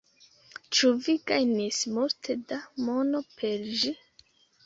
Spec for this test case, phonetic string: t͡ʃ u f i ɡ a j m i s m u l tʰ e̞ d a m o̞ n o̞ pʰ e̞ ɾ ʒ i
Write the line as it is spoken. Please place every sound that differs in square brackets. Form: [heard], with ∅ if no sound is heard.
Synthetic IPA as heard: t͡ʃ u [v] i ɡ a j [n] i s m u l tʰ e̞ d a m o̞ n o̞ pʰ e̞ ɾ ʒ i